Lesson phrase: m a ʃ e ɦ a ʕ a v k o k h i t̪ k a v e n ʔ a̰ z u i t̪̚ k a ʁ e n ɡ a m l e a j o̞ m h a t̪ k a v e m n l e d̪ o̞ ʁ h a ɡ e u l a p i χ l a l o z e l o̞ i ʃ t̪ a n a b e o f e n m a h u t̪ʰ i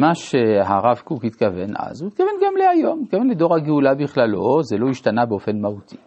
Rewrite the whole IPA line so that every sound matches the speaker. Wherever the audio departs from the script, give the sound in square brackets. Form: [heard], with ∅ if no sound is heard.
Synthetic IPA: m a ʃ e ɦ a [ʁ] a v k [u] k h i t̪ k a v e n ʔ a̰ z u i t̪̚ k a [v] e n ɡ a m l e a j o̞ m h [i] t̪ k a v e [∅] n l e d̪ o̞ ʁ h a ɡ e u l a [b] i χ l a l o z e l o̞ i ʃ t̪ a n a b e o f e n m a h u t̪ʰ i